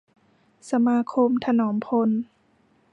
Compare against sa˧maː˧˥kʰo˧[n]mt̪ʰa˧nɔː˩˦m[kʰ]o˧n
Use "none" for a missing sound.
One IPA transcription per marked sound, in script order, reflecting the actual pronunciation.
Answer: none, pʰ

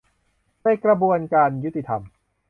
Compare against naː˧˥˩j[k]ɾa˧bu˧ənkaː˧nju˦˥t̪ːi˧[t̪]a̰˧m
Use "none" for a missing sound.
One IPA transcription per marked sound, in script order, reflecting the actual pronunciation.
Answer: k, t̪ʰ

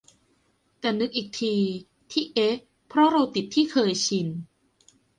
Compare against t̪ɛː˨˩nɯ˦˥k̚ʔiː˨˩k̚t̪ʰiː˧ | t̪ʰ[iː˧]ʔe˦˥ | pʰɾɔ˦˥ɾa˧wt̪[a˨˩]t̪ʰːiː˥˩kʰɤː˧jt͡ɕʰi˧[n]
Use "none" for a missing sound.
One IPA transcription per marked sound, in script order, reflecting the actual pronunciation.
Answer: iː˥˩, i˨˩, n

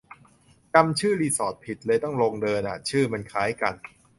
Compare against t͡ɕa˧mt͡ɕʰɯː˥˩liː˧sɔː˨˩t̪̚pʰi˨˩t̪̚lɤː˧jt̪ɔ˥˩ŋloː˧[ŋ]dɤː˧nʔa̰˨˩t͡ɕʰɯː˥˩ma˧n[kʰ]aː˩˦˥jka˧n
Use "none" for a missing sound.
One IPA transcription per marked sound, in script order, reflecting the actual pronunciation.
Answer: ŋ, kʰ

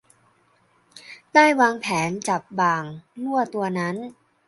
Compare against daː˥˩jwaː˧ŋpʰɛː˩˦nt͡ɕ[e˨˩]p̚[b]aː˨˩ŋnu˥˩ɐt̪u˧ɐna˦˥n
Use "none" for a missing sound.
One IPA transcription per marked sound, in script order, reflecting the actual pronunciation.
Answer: a˨˩, b

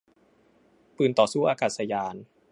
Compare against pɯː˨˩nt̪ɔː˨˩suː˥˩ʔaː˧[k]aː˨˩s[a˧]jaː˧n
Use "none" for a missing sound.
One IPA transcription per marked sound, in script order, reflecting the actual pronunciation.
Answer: k, a˧

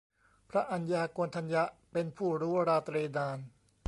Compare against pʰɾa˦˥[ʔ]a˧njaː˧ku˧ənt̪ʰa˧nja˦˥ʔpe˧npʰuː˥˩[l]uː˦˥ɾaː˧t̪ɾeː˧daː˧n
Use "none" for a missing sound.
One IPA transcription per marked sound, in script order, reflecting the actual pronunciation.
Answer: ʔ, ɾ

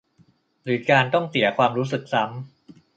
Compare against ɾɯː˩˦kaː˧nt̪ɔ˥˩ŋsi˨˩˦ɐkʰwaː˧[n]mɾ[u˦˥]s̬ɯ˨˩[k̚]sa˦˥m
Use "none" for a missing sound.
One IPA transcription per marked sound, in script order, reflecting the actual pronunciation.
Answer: none, uː˦˥, k̚

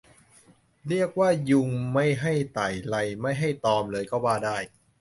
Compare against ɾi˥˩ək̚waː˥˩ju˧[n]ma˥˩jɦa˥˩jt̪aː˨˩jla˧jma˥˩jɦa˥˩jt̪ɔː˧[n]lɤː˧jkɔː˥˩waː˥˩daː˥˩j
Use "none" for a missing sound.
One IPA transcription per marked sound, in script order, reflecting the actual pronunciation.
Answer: ŋ, m

